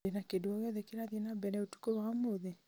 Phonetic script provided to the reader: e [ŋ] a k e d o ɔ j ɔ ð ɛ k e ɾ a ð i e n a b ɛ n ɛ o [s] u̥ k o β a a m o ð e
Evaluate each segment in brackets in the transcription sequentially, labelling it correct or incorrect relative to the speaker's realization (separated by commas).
incorrect, incorrect